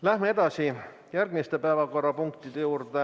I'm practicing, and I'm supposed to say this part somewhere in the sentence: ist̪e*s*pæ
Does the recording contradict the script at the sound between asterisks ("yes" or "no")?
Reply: yes